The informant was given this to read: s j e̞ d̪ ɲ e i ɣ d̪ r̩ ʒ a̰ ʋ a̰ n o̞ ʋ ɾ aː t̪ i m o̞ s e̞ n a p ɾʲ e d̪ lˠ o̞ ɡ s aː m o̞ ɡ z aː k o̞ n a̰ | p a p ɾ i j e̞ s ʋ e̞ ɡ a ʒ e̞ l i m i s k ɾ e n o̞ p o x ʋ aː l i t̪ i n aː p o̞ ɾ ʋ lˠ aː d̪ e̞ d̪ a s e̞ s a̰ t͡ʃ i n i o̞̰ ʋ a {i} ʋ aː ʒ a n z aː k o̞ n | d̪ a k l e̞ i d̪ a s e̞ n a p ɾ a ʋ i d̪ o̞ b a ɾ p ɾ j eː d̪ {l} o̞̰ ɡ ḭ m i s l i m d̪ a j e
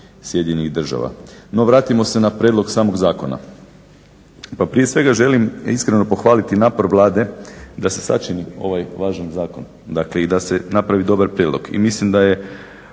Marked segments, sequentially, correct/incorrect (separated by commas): incorrect, correct